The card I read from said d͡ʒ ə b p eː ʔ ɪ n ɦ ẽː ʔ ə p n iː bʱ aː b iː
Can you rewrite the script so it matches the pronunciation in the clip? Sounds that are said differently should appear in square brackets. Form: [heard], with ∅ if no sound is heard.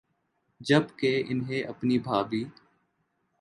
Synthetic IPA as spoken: d͡ʒ ə b [k] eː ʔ ɪ n ɦ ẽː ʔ ə p n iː bʱ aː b iː